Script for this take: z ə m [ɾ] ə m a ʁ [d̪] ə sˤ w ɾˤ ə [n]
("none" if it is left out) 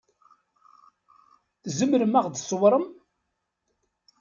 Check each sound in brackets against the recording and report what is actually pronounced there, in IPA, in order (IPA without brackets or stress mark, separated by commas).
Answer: ɾ, d̪, m